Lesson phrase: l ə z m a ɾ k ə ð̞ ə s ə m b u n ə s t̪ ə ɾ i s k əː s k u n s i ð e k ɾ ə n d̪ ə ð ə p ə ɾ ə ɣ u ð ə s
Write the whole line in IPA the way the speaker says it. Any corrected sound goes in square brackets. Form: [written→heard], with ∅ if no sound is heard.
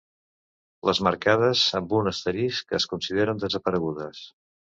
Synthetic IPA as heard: l ə z m [a→ə] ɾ k [ə→a] ð̞ ə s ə m b u n ə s t̪ ə ɾ i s k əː s k u n s i ð e [k→∅] ɾ ə n d̪ ə [ð→z] ə p ə ɾ ə ɣ u ð ə s